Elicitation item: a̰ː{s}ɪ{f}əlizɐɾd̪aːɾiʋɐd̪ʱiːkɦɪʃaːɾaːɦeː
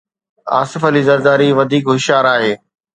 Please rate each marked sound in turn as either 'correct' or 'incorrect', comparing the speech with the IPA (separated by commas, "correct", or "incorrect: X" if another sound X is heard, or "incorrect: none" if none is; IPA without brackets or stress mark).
correct, correct